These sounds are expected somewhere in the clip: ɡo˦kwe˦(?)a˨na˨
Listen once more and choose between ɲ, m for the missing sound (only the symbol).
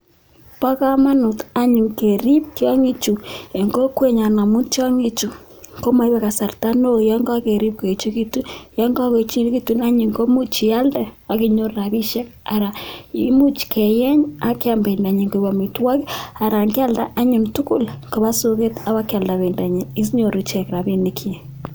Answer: ɲ